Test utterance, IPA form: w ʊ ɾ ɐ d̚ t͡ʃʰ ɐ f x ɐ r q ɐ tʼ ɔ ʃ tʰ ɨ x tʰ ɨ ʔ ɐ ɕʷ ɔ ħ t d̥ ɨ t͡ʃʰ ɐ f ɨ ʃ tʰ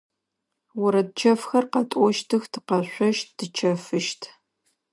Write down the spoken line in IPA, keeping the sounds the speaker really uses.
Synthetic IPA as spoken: w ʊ ɾ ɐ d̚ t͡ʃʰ ɐ f x ɐ r q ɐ tʼ ɔ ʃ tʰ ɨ x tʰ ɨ q ɐ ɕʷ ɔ ʃ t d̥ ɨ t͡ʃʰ ɐ f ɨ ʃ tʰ